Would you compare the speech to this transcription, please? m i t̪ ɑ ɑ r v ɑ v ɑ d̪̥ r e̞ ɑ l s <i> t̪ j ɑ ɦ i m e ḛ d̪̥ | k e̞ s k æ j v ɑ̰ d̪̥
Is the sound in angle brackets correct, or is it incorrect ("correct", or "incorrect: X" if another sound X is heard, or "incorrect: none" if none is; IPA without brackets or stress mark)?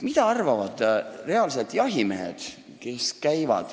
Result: incorrect: e